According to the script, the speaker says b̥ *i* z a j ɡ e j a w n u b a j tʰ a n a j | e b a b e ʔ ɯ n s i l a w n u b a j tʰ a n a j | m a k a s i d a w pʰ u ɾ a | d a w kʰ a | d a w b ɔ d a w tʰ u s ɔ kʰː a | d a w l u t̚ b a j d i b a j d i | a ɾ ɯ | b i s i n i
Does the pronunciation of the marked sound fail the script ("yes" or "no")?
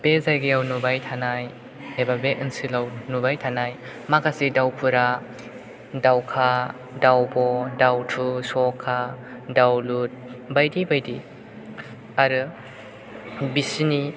yes